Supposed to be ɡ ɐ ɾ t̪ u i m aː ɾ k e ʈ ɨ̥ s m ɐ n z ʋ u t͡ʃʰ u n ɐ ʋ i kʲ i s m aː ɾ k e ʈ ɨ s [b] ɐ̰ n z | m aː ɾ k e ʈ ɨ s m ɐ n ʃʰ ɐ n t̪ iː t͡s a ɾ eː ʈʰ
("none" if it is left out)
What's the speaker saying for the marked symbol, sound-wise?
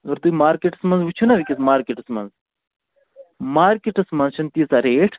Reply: m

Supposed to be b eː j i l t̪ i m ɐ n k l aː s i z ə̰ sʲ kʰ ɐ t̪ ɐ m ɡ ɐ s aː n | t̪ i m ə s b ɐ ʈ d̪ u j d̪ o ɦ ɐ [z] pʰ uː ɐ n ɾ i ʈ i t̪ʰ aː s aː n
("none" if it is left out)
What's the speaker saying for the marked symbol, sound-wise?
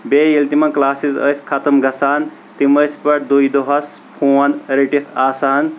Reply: s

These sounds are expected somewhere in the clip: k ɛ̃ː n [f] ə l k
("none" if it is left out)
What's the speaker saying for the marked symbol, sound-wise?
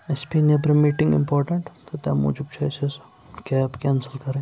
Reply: s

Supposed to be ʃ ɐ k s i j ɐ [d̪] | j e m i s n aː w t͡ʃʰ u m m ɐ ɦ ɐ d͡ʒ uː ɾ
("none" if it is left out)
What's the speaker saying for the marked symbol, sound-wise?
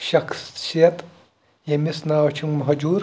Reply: t̪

